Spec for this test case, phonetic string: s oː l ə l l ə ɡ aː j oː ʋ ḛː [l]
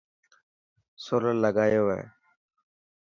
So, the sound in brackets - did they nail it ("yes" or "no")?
no